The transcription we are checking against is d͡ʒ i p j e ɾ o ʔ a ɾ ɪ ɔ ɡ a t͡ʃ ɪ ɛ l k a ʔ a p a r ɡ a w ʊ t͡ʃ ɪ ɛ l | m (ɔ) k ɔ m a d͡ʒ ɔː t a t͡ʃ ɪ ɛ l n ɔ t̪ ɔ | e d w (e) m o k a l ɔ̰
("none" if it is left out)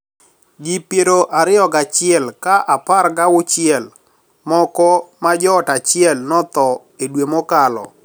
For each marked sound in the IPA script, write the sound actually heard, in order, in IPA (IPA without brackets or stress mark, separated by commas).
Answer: ɔ, e